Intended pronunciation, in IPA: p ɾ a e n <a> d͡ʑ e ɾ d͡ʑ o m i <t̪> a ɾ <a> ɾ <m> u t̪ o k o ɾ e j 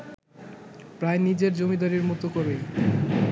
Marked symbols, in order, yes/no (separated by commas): no, no, no, yes